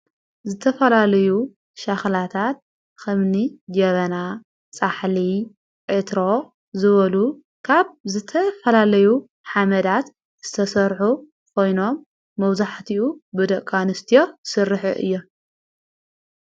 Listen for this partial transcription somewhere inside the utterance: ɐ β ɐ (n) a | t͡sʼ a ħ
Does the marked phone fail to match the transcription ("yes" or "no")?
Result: no